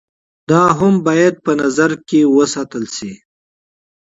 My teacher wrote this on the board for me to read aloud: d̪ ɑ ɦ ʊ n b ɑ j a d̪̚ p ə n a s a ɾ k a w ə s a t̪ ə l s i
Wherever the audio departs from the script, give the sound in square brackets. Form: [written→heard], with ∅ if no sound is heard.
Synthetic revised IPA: d̪ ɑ ɦ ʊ [n→m] b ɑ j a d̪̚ p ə n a [s→z] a ɾ k [a→e] w ə s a t̪ ə l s i